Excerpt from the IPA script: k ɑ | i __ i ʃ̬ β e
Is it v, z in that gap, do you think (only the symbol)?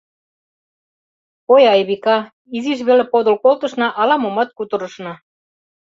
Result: z